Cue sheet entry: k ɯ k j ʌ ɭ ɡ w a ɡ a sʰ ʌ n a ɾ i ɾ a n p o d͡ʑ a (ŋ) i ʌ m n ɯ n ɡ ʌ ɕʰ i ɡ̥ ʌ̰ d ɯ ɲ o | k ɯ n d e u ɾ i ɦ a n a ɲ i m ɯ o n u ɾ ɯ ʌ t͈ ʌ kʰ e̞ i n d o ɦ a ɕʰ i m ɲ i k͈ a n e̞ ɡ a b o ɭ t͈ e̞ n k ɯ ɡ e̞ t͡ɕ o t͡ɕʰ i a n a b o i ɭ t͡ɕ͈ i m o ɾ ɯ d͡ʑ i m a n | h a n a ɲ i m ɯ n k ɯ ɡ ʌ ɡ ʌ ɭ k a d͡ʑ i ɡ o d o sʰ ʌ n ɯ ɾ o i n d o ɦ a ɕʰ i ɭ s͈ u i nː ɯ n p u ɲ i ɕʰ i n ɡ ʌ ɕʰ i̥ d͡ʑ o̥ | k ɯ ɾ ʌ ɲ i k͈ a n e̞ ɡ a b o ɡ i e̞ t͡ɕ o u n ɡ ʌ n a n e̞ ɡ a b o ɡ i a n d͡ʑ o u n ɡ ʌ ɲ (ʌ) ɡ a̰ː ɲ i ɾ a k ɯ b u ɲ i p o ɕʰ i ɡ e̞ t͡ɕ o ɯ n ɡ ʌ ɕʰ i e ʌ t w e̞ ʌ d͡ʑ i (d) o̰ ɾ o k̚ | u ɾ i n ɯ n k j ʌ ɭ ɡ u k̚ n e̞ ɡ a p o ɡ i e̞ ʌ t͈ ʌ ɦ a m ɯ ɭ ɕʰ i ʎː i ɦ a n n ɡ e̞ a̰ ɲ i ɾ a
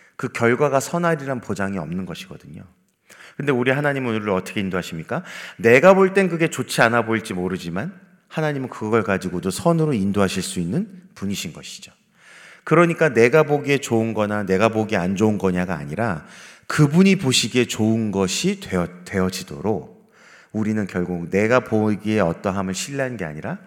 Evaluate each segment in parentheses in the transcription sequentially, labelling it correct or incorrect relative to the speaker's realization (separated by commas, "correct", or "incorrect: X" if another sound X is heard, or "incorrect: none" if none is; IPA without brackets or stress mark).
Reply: correct, incorrect: a, correct